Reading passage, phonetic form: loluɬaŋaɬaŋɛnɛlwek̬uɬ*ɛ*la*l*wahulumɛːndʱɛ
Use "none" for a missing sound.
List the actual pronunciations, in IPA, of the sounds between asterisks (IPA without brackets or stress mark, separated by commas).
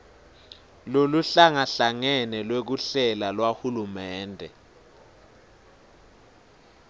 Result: ɛ, l